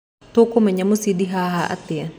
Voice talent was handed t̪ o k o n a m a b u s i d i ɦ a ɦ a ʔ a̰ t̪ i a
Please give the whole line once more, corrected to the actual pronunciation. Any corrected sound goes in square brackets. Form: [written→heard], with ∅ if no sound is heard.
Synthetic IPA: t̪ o k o [n→m] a [m→ɲ] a [b→m] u s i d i ɦ a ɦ a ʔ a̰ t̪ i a